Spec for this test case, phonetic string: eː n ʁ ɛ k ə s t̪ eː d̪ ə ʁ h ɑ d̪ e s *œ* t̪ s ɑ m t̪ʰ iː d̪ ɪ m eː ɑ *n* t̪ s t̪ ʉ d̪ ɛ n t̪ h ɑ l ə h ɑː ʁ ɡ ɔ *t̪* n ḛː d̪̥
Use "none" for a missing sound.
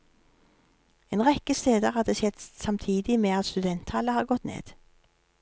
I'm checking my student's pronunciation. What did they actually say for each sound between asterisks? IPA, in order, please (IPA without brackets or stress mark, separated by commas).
ɛ, none, t̪